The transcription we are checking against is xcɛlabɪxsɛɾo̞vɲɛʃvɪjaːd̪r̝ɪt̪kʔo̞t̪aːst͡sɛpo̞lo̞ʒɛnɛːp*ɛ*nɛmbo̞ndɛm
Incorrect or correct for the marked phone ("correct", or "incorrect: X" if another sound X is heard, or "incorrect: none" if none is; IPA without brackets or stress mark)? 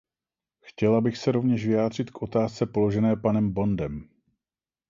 incorrect: a